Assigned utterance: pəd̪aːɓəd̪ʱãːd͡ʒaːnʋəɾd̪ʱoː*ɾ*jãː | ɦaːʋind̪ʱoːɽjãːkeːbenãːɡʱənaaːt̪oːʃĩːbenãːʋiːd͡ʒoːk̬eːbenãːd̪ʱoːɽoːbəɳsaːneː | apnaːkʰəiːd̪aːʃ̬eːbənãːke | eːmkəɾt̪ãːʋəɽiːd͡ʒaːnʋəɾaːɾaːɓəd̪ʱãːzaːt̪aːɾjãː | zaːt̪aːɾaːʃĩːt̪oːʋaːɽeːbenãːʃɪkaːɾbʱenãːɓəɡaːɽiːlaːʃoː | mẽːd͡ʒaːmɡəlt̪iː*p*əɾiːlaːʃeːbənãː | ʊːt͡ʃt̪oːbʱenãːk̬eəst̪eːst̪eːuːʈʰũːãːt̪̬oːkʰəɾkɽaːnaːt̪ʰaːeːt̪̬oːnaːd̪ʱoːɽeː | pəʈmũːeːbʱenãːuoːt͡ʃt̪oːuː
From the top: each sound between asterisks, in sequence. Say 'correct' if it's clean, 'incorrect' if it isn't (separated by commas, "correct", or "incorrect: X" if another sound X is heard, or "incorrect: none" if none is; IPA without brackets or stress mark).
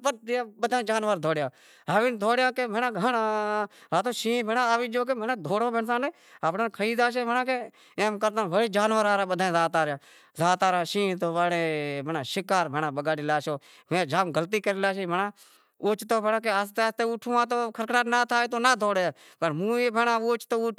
incorrect: ɽ, incorrect: k